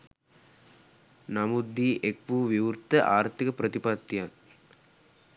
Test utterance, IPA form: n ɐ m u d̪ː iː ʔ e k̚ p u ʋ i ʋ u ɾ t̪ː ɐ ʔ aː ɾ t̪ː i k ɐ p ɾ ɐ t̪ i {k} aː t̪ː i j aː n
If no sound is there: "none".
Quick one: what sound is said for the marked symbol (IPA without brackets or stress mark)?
p